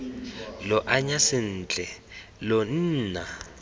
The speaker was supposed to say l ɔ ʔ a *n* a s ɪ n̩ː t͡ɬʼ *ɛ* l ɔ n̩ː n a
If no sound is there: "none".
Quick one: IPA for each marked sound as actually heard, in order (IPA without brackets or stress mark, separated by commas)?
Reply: ɲ, ɛ